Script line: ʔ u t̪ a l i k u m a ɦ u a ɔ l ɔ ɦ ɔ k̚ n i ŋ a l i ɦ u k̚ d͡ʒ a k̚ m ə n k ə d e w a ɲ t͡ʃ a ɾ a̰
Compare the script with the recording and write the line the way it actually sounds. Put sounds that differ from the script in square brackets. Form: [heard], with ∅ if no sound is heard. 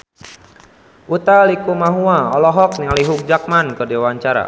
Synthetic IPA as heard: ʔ u t̪ a l i k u m a ɦ u a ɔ l ɔ ɦ ɔ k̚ n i ŋ a l i ɦ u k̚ d͡ʒ a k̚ m [a] n k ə d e w a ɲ t͡ʃ a ɾ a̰